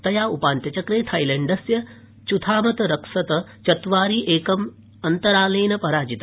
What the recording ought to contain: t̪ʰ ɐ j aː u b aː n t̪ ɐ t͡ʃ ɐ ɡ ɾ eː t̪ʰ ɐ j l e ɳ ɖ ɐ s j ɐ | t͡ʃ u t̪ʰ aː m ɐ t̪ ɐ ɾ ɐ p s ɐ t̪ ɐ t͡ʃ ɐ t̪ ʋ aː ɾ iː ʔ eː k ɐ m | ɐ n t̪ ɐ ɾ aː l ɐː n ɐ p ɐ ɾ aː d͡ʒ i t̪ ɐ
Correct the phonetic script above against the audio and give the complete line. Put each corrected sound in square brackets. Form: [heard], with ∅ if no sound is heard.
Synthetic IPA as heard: [t̪] ɐ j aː u [p] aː n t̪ ɐ t͡ʃ ɐ [k] ɾ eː t̪ʰ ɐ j l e ɳ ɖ ɐ s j ɐ | t͡ʃ u t̪ʰ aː m ɐ t̪ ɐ ɾ ɐ [k] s ɐ t̪ ɐ t͡ʃ ɐ t̪ ʋ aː ɾ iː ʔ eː k ɐ m | ɐ n t̪ ɐ ɾ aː l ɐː n ɐ p ɐ ɾ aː d͡ʒ i t̪ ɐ